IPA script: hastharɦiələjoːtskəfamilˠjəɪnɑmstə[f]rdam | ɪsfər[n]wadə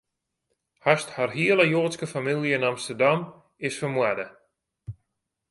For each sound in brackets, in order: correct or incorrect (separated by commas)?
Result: incorrect, incorrect